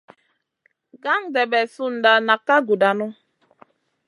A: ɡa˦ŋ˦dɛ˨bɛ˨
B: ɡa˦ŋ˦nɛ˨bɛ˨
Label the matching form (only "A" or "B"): A